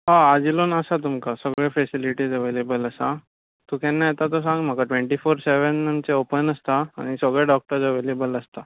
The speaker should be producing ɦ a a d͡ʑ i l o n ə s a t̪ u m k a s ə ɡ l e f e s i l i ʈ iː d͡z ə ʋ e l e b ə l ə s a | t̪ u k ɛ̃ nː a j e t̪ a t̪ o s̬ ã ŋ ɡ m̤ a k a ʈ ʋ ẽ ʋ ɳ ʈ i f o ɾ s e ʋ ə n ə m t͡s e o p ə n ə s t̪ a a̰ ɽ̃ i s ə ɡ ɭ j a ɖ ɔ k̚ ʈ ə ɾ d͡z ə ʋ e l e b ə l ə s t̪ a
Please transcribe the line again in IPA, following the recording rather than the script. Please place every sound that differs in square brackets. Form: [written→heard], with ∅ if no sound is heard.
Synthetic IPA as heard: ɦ a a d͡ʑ i l o n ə s a t̪ u m k a s ə ɡ [l→ɭ] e f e s i l i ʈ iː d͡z ə ʋ e l e b ə l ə s a | t̪ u k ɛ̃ nː a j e t̪ a t̪ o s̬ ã ŋ ɡ m̤ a k a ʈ ʋ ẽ [ʋ→∅] ɳ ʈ i f o ɾ s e ʋ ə n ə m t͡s e o p ə n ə s t̪ a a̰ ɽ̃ i s ə ɡ ɭ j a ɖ ɔ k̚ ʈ ə ɾ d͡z ə ʋ e l e b ə l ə s t̪ a